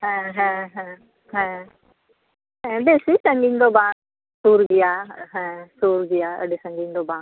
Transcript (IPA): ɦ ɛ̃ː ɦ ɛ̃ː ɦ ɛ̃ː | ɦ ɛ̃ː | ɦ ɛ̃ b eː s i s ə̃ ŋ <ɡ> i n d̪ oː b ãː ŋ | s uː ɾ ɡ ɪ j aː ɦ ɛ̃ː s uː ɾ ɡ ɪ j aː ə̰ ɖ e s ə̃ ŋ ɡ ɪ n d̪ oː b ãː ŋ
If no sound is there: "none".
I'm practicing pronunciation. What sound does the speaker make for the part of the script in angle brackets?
ɡ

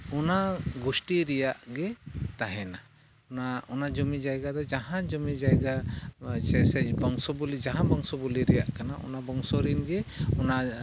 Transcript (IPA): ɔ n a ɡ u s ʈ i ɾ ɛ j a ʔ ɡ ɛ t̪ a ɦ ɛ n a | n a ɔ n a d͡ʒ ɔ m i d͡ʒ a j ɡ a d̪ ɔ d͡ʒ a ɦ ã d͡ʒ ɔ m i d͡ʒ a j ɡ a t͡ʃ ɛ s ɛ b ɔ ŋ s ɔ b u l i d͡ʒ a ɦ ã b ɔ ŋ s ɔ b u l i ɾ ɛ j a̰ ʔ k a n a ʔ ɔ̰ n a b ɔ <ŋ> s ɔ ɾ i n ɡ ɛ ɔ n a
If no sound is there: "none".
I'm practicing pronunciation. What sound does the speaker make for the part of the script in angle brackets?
ŋ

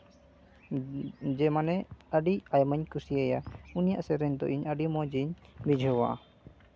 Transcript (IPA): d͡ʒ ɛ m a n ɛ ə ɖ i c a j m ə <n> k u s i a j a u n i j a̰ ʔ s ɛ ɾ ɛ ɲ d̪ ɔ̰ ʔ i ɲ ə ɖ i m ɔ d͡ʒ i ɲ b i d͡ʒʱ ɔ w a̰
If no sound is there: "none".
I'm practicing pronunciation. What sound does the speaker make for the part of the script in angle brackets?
ɲ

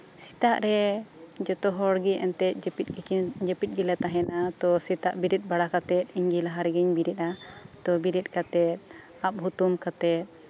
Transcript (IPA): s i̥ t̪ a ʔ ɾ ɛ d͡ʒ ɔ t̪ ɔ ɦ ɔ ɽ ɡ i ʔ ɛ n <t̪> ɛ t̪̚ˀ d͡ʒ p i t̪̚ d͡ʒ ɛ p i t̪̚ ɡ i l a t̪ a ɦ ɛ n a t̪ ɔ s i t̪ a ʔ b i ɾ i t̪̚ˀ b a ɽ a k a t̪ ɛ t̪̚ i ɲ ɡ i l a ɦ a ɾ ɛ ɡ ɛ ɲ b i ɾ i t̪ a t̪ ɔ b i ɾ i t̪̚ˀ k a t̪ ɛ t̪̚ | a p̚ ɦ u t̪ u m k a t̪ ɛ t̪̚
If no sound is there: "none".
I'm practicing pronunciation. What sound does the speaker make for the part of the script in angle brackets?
t̪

